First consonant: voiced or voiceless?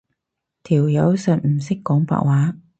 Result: voiceless